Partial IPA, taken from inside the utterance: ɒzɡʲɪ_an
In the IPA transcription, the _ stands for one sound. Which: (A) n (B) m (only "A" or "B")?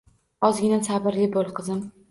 A